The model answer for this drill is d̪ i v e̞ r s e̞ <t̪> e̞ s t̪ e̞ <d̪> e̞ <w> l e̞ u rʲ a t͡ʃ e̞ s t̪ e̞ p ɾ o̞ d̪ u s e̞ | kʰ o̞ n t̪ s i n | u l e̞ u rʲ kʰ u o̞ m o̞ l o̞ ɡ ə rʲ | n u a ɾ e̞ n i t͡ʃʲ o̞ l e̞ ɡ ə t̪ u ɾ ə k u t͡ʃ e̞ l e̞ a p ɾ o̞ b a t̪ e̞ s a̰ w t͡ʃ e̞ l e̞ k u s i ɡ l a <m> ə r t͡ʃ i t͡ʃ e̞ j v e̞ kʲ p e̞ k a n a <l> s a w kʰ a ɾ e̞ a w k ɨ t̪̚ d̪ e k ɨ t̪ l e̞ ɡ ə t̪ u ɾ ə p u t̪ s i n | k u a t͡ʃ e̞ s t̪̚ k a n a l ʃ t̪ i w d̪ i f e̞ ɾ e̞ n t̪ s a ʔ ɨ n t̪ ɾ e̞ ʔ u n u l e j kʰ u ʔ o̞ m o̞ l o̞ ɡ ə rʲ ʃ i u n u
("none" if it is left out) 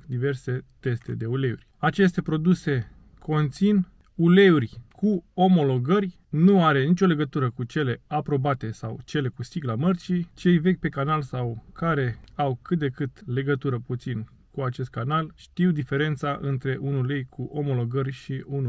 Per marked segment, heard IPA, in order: t̪, d̪, u, m, l

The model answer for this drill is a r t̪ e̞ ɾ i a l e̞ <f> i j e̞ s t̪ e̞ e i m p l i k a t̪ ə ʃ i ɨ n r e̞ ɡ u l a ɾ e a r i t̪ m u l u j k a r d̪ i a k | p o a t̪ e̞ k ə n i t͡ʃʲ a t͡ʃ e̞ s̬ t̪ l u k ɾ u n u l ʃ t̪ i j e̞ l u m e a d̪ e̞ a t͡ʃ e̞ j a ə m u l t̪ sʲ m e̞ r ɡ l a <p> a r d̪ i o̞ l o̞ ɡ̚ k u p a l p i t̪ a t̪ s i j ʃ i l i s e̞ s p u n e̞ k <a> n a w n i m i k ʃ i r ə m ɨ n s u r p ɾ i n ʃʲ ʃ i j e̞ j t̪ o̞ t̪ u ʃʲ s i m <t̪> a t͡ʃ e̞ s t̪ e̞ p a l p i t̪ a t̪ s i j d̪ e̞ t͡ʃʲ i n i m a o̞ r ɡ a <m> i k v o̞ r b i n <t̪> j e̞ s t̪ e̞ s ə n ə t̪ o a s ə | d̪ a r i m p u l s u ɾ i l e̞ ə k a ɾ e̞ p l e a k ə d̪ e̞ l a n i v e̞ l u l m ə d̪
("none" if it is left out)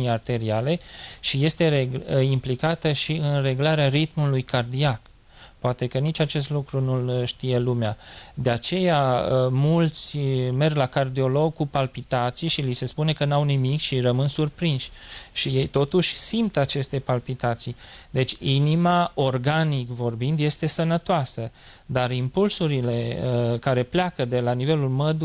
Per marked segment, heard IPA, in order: ʃ, k, ə, t̪, n, d̪

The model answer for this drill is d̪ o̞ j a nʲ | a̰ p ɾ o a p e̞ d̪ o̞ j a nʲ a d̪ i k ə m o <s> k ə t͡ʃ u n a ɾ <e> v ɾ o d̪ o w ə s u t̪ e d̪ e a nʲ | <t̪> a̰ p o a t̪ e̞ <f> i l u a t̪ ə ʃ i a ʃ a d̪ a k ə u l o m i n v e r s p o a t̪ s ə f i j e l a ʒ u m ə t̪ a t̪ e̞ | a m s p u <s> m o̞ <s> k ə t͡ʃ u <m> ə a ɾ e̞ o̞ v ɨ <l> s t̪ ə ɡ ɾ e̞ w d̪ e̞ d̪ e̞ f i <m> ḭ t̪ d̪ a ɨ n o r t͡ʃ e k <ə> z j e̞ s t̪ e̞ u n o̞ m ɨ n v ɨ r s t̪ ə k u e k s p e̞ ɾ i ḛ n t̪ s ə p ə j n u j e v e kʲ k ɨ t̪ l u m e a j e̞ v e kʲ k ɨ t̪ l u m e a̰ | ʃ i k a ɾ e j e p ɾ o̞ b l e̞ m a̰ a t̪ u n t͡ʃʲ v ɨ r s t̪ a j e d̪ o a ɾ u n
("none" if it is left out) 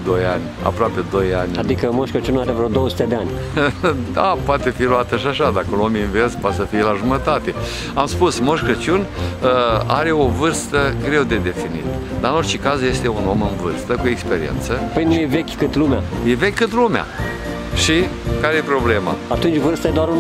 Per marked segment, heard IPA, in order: ʃ, e, d̪, f, s, ʃ, n, r, n, a

